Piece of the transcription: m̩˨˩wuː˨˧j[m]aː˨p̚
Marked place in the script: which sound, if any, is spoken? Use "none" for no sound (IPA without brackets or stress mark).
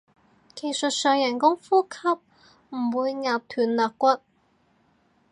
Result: ŋ